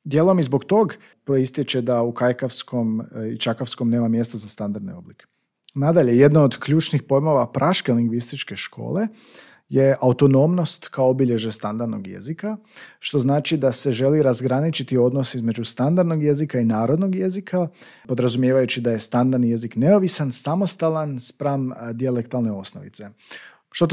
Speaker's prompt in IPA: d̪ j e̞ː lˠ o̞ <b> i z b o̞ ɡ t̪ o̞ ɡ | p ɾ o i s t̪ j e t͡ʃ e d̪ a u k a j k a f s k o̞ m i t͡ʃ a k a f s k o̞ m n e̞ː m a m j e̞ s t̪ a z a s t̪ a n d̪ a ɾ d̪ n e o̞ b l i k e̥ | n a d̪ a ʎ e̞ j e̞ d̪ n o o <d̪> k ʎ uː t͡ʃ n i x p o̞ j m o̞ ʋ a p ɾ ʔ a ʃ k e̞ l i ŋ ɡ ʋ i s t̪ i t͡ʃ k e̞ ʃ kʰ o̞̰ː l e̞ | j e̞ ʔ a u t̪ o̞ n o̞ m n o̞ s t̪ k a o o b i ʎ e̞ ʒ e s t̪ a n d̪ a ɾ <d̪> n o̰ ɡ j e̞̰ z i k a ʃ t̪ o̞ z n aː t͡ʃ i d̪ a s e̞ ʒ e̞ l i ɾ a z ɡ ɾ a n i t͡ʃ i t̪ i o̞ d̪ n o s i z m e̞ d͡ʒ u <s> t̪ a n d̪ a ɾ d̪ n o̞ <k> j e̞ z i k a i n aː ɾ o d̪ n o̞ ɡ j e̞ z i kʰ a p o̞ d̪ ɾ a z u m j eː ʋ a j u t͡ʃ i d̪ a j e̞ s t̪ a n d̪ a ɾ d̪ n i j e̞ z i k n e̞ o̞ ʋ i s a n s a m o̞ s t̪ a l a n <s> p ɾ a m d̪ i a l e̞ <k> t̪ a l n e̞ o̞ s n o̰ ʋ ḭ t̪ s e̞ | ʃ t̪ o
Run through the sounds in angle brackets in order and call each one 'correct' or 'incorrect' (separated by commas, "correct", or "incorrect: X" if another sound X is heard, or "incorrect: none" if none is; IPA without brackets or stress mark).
incorrect: m, correct, correct, correct, incorrect: ɡ, correct, correct